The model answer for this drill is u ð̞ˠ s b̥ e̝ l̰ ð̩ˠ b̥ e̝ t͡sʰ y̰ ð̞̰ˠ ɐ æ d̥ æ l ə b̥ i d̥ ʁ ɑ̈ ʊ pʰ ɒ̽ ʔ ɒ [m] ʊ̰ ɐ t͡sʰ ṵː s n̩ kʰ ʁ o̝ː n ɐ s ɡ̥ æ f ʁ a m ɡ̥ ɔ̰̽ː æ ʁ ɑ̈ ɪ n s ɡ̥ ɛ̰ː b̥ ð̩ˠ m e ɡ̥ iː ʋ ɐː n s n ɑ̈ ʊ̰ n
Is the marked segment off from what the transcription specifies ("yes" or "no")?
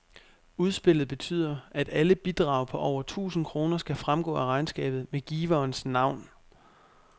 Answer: yes